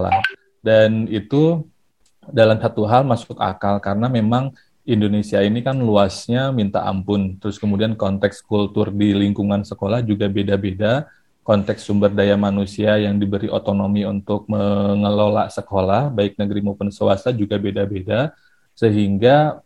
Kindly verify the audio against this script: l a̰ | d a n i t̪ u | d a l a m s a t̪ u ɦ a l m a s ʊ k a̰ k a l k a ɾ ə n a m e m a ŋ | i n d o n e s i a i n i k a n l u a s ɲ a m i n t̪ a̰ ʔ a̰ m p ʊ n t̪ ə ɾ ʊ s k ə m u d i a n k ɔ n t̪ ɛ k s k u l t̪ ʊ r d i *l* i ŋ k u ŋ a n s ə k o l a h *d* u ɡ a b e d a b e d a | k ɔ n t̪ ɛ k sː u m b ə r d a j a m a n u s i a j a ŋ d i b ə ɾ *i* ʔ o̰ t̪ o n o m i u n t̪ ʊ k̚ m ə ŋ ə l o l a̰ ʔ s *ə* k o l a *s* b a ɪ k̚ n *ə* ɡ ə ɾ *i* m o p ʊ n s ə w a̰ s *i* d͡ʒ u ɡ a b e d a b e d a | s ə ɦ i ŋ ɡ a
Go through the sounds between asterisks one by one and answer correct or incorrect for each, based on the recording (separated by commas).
correct, incorrect, correct, correct, incorrect, correct, correct, incorrect